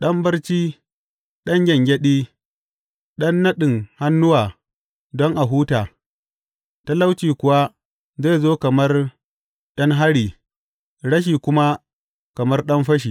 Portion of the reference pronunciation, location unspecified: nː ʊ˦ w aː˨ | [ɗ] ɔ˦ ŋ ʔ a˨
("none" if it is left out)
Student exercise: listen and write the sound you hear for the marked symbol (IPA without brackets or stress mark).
d